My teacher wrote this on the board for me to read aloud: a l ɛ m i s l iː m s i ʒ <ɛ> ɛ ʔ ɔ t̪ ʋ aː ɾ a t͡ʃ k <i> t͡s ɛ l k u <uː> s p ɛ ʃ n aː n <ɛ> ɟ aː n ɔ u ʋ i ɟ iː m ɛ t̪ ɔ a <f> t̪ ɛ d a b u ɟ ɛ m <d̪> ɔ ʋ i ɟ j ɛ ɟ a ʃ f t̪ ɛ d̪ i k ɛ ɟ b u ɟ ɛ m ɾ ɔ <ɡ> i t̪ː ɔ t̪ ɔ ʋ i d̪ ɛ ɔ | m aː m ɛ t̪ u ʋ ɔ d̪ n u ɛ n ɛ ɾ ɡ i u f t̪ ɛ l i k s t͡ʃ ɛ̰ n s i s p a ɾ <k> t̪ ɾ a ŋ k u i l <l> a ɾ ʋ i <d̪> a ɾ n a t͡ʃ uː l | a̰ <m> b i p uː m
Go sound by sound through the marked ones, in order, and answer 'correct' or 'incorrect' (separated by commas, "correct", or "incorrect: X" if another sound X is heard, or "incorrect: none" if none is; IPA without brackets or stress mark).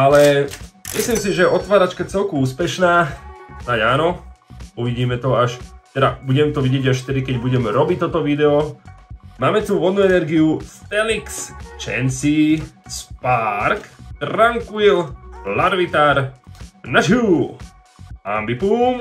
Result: correct, incorrect: a, correct, incorrect: a, incorrect: ʃ, incorrect: t̪, incorrect: b, correct, correct, incorrect: t̪, correct